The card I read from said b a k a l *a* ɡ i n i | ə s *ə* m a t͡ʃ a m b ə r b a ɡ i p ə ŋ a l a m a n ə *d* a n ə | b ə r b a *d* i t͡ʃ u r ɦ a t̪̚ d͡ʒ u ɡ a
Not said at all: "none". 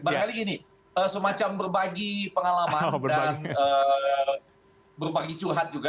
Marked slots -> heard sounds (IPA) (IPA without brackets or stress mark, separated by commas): i, ə, d, ɡ